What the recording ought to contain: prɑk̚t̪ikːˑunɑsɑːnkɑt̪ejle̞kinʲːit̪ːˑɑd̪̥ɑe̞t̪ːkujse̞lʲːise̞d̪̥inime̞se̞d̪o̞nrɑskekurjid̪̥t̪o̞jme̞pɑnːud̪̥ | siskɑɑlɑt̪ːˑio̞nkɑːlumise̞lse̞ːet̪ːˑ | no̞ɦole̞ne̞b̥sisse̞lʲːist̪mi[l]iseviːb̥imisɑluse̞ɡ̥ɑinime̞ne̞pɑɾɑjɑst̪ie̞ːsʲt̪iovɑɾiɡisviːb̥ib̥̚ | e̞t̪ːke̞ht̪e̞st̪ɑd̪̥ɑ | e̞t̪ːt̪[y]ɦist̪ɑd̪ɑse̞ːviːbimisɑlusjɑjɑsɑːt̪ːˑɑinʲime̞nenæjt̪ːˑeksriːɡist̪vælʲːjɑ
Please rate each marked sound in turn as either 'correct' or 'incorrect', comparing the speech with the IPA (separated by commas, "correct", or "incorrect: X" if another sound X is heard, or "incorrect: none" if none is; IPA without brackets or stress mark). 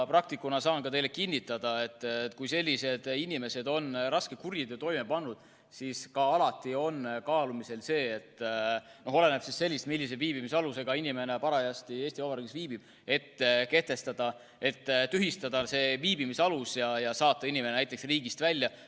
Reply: incorrect: lː, correct